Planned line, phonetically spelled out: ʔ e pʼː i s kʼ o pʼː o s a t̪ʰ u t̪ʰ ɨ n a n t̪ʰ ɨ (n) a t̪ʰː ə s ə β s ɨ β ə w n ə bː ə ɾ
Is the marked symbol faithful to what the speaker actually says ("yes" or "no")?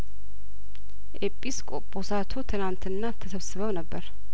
no